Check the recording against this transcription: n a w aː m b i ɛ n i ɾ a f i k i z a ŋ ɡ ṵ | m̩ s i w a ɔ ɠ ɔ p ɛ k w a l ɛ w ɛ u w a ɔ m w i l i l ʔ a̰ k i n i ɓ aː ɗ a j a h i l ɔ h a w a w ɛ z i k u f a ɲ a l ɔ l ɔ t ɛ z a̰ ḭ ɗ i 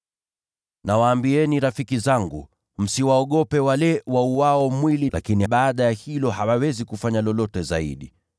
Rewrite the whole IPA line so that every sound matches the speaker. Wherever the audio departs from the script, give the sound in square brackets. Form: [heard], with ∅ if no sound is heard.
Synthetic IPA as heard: n a w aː m b i ɛ n i ɾ a f i k i z a ŋ ɡ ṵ | m̩ s i w a ɔ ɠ ɔ p ɛ [∅] w a l ɛ w [a] u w a ɔ m w i l i l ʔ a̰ k i n i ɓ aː ɗ a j a h i l ɔ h a w a w ɛ z i k u f a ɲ a l ɔ l ɔ t ɛ z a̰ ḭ ɗ i